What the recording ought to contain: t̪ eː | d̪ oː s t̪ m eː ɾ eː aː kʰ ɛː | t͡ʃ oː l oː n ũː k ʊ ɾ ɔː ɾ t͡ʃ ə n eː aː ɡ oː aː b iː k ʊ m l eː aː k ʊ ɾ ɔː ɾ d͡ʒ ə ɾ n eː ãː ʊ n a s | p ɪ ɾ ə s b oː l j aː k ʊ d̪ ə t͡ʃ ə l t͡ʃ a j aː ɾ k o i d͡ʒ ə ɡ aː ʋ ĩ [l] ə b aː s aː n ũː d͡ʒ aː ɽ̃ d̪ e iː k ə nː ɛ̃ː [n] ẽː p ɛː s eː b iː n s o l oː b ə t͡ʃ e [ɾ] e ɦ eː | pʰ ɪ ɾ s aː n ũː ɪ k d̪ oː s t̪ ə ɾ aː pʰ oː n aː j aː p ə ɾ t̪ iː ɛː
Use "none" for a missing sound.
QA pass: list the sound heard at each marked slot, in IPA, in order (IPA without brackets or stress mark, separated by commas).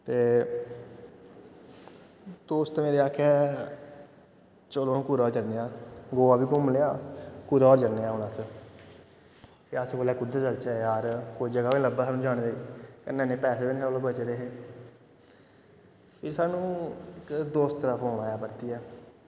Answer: l, n, ɾ